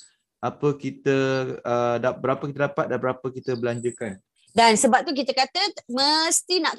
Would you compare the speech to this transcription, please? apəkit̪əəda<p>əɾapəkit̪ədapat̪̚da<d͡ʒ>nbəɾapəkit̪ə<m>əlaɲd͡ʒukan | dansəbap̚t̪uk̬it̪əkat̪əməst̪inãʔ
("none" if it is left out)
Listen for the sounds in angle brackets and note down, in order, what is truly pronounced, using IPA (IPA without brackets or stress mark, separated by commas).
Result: b, none, b